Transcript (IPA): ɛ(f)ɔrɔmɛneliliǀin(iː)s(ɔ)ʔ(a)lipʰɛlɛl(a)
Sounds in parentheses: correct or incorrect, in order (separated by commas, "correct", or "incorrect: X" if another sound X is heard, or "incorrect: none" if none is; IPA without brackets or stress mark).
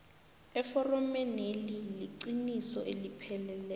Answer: correct, incorrect: i, correct, incorrect: e, incorrect: ɛ